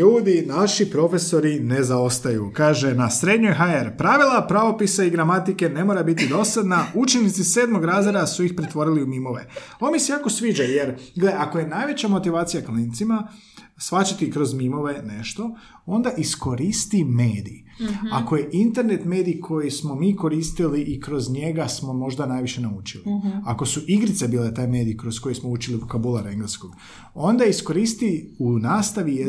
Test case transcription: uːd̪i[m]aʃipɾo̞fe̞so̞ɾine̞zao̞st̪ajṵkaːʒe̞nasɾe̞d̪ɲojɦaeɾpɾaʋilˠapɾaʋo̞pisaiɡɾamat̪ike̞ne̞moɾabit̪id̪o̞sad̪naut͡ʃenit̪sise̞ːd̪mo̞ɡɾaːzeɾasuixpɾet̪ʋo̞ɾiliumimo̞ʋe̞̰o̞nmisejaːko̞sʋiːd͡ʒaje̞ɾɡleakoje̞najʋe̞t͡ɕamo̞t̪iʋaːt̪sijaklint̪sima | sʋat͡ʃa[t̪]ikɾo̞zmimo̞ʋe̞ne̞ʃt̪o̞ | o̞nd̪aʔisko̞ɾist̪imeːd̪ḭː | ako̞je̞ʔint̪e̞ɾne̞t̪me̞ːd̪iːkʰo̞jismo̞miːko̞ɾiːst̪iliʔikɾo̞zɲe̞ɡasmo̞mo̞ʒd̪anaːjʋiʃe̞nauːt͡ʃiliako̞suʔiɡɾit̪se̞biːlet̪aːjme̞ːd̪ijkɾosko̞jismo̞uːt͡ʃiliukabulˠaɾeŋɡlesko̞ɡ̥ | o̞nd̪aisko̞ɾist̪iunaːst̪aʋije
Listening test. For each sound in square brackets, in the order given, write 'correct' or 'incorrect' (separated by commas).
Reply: incorrect, correct